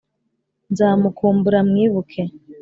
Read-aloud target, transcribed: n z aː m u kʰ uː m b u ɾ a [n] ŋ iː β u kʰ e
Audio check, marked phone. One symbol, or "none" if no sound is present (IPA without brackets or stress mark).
m